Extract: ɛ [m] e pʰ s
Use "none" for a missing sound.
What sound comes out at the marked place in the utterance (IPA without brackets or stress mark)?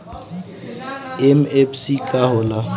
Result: m